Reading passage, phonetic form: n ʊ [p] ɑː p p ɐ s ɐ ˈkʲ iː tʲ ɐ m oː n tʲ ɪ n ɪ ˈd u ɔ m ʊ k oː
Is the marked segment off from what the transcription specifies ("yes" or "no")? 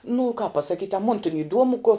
yes